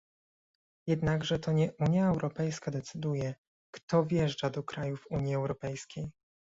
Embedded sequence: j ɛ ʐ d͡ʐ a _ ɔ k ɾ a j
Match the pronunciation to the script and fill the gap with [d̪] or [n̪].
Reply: d̪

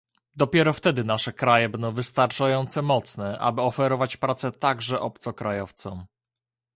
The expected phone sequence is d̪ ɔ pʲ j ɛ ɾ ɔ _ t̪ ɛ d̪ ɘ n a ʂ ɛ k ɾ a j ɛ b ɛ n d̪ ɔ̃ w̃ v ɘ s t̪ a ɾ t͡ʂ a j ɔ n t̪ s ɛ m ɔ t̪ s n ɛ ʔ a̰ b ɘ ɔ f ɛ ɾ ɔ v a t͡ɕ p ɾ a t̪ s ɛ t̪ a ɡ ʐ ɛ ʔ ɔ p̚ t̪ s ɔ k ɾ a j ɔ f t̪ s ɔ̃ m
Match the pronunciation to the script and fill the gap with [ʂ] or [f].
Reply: f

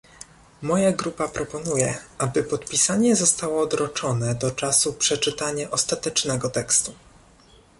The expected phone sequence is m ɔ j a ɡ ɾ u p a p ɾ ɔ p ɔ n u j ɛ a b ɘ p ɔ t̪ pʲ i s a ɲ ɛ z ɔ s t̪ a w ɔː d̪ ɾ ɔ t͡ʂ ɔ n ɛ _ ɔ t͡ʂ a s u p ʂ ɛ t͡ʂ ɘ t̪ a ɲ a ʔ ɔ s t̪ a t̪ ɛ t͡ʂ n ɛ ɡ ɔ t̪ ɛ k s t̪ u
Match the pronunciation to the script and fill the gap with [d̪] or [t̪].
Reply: d̪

